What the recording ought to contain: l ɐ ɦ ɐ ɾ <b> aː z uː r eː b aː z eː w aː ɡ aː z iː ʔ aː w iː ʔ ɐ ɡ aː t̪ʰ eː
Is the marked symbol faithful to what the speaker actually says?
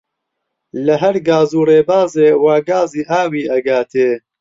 no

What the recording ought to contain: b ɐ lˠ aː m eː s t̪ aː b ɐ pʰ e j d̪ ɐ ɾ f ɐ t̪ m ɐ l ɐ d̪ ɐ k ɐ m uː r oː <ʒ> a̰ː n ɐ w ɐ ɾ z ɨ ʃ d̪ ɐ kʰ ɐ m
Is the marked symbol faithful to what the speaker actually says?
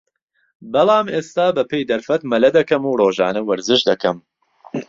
yes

